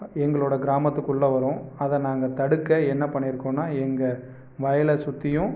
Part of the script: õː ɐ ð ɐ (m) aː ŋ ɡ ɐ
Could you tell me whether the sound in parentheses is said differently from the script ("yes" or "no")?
yes